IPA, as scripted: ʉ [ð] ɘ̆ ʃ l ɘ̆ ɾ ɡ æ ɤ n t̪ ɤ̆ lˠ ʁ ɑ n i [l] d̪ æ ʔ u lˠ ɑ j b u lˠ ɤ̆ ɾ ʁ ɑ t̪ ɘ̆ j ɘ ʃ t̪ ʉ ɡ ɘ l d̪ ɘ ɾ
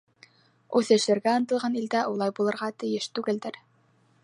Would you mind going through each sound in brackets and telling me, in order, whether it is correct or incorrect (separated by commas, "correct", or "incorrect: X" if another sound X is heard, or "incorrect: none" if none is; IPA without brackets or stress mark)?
incorrect: θ, correct